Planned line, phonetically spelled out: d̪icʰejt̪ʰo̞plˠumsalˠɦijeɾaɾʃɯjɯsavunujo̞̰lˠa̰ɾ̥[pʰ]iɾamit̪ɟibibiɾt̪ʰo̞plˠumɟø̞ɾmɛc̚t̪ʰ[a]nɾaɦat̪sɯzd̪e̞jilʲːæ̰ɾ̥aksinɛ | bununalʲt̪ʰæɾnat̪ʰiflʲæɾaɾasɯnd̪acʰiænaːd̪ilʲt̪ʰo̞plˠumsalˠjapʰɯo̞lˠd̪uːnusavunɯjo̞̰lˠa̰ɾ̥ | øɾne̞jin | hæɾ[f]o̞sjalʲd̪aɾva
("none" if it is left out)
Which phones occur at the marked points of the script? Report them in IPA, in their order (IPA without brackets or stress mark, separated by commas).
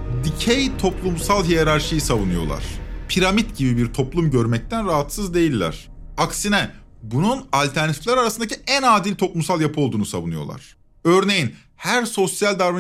pʰ, æ, s